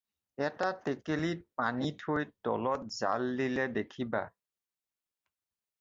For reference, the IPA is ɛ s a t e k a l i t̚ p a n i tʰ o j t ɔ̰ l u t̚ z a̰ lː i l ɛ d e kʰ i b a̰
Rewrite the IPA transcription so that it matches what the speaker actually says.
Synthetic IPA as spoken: ɛ t a t e k e l i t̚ p a n i tʰ o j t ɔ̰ l ɔ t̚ z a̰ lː i l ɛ d e kʰ i b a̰